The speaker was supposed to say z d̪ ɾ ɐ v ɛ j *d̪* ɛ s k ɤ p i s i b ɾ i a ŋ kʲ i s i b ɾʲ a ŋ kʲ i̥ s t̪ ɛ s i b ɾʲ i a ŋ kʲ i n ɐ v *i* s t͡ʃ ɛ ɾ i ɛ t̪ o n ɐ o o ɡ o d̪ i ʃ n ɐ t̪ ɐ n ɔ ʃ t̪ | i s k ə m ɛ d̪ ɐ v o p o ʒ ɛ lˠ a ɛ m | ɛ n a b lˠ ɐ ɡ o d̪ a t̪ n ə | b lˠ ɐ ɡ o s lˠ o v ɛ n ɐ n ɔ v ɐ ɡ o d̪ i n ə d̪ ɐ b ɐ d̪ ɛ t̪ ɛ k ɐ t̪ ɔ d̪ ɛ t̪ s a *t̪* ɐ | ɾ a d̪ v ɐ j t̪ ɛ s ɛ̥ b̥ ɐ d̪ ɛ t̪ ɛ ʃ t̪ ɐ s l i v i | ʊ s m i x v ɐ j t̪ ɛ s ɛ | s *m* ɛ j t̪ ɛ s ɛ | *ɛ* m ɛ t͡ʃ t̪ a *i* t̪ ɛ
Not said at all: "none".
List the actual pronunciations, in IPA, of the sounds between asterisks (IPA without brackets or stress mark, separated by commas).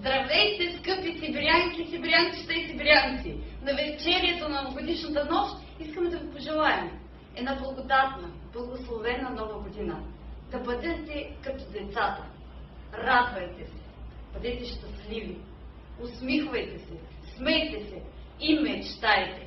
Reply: t̪, ɛ, t̪, m, i, j